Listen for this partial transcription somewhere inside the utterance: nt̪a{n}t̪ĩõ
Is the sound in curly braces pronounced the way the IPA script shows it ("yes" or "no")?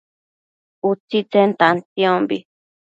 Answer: yes